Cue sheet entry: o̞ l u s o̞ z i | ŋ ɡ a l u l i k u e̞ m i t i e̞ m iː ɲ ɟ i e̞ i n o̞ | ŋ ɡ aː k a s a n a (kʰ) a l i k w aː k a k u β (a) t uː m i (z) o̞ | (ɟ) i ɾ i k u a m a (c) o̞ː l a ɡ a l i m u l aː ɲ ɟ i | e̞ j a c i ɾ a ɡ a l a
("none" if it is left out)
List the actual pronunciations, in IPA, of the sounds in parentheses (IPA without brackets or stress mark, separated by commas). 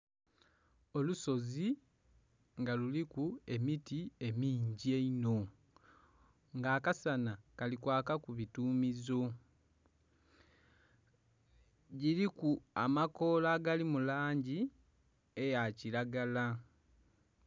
k, i, z, ɟ, k